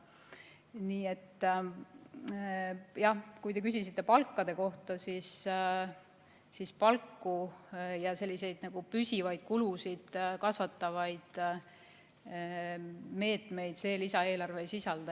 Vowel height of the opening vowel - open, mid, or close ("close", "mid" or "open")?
close